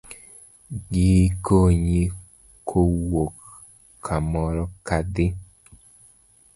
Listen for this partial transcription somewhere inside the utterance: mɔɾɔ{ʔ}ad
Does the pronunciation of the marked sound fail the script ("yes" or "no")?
yes